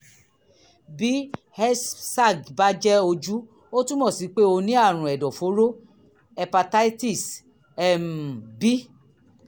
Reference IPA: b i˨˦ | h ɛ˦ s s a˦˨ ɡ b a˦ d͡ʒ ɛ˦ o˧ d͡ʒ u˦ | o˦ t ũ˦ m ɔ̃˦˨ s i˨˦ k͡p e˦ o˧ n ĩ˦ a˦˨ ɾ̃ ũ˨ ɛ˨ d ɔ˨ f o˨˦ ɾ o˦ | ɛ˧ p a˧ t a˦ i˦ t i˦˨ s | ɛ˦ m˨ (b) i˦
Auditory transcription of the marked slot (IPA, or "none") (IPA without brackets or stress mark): b